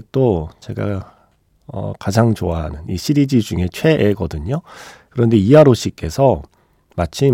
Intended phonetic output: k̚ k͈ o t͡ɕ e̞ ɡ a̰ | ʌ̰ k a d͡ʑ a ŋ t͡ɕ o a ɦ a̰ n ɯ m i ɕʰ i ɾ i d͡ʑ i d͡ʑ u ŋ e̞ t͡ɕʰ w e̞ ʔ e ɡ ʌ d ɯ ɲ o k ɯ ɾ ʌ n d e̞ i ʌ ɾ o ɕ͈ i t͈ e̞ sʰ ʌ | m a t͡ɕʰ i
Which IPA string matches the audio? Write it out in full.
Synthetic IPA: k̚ t͈ o t͡ɕ e̞ ɡ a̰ | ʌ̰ k a d͡ʑ a ŋ t͡ɕ o a ɦ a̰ n ɯ n i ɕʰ i ɾ i d͡ʑ i d͡ʑ u ŋ e̞ t͡ɕʰ w e̞ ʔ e ɡ ʌ d ɯ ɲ o k ɯ ɾ ʌ n d e̞ i a ɾ o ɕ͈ i k͈ e̞ sʰ ʌ | m a t͡ɕʰ i